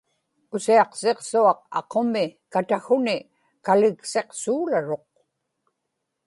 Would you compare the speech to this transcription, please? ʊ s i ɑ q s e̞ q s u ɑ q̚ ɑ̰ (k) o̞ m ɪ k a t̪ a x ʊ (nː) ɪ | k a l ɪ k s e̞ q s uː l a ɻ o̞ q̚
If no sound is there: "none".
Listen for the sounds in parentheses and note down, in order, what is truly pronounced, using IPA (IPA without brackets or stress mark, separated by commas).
q, n